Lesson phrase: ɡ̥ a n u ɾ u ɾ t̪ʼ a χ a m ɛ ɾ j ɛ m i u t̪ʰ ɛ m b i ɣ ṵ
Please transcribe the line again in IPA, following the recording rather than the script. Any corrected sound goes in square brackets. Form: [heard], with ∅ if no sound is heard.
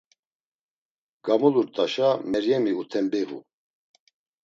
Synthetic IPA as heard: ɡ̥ a [m] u [l] u ɾ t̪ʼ a [ʃ] a m ɛ ɾ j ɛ m i u t̪ʰ ɛ m b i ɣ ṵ